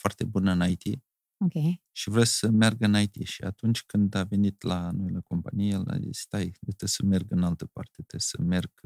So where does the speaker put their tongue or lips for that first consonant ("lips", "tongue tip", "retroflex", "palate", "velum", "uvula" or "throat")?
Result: lips